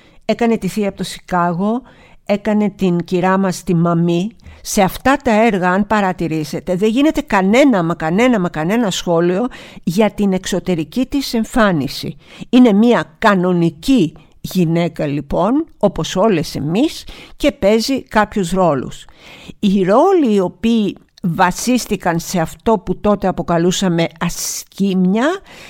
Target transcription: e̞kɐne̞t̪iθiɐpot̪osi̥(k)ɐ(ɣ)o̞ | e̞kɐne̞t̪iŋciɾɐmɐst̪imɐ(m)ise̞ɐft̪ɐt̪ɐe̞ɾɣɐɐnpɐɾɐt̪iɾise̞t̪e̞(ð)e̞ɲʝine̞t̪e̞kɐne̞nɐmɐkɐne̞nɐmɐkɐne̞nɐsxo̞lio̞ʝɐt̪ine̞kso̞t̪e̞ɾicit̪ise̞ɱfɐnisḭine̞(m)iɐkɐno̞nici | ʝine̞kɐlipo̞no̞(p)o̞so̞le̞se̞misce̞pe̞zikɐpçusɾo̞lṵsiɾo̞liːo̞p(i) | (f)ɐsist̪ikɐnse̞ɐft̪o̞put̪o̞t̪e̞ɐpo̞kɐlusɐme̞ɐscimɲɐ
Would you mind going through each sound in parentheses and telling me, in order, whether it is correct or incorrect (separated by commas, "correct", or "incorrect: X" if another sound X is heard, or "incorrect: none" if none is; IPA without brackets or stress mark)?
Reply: correct, correct, correct, correct, correct, correct, incorrect: iː, incorrect: v